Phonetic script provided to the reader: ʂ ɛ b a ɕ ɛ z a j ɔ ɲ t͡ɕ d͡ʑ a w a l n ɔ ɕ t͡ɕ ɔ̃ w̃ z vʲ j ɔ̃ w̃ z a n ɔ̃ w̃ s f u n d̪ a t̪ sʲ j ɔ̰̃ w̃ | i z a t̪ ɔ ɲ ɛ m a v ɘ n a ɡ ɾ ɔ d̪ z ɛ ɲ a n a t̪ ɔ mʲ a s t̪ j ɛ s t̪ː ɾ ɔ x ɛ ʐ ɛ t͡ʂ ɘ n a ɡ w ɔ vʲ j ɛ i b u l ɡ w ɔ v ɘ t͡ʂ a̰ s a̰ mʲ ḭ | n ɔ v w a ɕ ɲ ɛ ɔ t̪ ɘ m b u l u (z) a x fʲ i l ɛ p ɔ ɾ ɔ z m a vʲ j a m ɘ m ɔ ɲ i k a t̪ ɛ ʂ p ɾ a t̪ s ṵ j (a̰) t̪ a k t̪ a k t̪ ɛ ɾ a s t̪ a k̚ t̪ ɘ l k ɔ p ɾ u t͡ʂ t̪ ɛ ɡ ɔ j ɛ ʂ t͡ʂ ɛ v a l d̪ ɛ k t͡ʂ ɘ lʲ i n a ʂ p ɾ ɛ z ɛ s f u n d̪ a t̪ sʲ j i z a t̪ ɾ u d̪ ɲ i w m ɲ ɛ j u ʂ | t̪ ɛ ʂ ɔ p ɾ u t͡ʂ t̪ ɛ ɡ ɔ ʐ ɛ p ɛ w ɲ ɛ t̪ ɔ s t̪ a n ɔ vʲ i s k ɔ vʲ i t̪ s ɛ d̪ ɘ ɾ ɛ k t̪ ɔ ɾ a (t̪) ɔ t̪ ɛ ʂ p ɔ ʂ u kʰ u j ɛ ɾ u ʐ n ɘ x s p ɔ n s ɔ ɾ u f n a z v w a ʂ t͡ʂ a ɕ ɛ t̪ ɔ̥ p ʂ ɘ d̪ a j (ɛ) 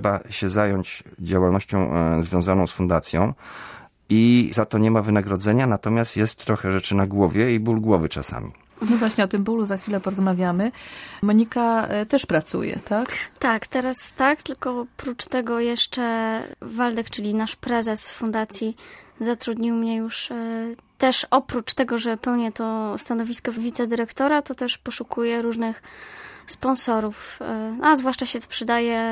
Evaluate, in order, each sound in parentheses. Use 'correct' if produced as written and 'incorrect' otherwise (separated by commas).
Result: correct, incorrect, correct, correct